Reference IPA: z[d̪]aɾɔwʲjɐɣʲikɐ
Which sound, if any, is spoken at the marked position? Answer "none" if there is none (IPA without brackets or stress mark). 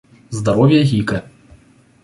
d̪